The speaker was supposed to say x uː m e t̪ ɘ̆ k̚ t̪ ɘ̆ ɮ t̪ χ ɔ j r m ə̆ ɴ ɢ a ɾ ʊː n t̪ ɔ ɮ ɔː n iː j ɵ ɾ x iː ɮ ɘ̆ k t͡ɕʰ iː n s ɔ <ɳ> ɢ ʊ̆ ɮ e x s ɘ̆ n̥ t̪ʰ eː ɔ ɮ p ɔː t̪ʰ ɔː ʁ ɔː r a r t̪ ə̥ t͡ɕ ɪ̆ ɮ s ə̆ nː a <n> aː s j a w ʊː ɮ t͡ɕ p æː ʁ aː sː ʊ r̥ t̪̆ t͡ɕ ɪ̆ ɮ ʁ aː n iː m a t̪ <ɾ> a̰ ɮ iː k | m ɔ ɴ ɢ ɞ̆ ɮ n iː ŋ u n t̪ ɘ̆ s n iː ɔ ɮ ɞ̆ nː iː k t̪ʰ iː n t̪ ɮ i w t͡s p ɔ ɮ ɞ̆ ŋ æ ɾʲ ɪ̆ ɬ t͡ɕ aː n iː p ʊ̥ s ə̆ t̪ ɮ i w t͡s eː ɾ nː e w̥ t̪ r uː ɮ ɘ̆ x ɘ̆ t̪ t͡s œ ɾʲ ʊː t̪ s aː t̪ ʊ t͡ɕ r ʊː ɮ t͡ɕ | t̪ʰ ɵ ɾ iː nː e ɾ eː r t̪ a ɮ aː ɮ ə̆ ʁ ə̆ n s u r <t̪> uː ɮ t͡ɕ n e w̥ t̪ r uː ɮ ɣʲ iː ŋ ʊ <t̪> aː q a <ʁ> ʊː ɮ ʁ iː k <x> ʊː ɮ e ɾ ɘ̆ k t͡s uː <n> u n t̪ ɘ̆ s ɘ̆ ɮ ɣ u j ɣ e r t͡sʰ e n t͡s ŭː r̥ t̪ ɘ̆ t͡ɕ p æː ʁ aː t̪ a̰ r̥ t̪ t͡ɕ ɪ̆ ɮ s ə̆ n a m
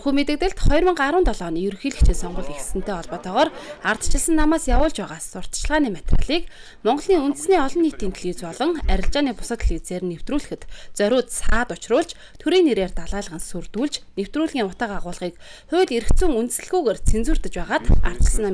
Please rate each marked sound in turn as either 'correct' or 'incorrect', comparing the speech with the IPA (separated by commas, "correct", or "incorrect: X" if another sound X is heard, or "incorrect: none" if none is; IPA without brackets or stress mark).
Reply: incorrect: ɴ, incorrect: m, incorrect: r, correct, correct, correct, incorrect: χ, incorrect: ŋ